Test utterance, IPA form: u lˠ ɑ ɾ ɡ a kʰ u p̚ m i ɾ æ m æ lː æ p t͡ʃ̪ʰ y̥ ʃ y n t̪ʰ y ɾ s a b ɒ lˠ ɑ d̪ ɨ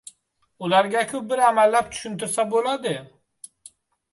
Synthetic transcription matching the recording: u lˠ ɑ ɾ ɡ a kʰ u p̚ b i ɾ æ m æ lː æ p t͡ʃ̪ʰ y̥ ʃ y n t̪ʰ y ɾ s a b o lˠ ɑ d̪ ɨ